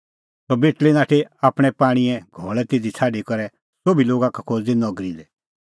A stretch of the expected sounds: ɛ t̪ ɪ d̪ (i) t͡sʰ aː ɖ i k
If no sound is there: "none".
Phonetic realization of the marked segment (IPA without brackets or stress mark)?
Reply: i